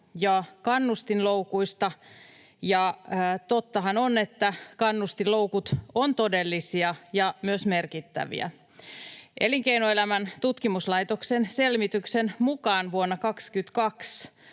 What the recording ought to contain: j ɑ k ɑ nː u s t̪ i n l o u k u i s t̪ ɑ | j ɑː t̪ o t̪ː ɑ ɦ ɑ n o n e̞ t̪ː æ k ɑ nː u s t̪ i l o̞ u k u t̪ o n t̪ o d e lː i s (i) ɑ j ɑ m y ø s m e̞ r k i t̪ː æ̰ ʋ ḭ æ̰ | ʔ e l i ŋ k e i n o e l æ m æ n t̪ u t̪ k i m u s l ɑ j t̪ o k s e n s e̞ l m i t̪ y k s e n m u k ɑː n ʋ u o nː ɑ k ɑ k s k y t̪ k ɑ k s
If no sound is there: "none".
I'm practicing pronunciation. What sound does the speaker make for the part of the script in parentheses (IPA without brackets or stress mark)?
i